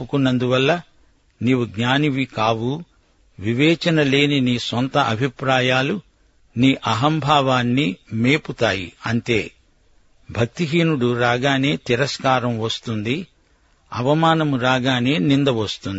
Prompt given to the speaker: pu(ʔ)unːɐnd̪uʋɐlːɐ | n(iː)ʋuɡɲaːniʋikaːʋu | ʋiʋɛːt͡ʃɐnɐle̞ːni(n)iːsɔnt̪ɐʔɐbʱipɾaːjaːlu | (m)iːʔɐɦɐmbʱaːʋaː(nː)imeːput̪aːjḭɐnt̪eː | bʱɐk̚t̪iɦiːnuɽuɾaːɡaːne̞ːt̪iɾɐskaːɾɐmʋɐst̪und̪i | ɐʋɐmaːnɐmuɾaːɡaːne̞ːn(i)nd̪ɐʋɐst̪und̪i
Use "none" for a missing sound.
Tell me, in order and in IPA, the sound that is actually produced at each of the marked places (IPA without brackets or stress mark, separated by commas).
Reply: k, iː, n, n, nː, i